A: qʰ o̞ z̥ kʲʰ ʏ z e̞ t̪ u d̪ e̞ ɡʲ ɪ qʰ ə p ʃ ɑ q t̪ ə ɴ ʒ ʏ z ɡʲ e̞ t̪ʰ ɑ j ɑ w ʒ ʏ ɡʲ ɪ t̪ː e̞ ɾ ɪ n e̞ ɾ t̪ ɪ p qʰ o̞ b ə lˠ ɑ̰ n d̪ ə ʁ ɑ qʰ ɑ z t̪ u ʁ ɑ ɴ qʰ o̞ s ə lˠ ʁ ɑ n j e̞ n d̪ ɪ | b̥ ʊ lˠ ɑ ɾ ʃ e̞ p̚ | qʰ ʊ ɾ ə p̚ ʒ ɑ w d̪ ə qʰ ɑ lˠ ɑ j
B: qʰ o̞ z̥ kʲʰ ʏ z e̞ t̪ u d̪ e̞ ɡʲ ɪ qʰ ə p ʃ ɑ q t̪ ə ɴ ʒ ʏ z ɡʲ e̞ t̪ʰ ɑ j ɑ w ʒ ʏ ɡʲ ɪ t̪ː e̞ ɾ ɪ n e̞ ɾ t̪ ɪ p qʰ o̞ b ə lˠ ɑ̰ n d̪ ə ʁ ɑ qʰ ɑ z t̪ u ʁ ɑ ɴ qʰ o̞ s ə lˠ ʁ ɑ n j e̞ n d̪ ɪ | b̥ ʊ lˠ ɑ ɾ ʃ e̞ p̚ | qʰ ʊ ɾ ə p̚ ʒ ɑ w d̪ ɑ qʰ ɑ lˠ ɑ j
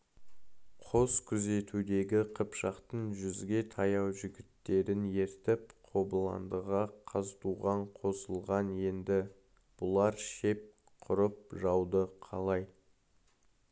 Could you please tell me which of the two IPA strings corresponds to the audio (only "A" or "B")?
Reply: A